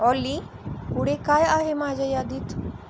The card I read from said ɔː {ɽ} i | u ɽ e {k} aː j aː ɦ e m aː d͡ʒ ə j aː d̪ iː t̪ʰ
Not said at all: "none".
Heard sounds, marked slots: l, k

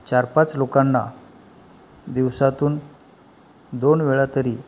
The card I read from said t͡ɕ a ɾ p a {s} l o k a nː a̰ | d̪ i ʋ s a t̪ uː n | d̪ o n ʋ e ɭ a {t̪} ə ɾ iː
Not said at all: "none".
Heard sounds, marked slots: t͡s, t̪

